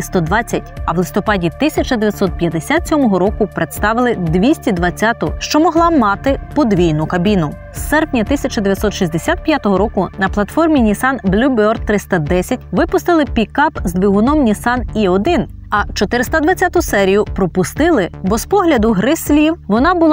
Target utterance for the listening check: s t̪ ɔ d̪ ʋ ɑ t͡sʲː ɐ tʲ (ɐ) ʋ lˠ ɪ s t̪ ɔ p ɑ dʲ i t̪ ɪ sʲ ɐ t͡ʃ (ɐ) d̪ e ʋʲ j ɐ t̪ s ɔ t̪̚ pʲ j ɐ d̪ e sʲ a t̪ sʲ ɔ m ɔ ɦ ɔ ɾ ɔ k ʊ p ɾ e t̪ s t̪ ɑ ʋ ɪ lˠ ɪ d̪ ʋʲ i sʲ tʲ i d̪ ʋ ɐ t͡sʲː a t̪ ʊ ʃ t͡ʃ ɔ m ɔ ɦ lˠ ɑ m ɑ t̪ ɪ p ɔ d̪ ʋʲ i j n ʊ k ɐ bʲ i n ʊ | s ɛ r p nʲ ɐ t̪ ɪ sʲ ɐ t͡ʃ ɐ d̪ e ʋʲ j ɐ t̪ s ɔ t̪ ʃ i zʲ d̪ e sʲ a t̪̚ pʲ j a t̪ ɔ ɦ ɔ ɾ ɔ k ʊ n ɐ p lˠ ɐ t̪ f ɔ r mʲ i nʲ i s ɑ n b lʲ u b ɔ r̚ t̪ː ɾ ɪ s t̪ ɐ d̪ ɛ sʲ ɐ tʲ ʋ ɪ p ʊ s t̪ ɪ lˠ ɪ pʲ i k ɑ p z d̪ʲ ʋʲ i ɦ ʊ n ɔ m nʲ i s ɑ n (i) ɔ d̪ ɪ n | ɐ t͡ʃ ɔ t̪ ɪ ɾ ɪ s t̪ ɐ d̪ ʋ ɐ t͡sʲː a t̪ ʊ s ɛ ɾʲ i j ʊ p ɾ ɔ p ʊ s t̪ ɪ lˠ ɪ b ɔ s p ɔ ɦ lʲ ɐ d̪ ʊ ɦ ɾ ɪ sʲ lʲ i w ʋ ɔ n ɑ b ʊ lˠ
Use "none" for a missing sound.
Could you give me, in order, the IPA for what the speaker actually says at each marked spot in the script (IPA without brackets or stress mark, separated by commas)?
ɐ, ɐ, i